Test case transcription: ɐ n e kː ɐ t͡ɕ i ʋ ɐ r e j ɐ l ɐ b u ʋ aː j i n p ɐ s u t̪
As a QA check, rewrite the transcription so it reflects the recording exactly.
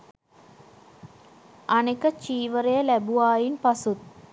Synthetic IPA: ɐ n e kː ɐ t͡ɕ iː ʋ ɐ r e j ɐ l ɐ b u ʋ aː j i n p ɐ s u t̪